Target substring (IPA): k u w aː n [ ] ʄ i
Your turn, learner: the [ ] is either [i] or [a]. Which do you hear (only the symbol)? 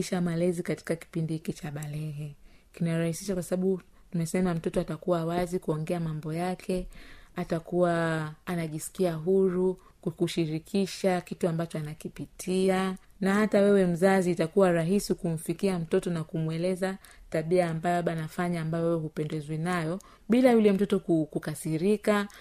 a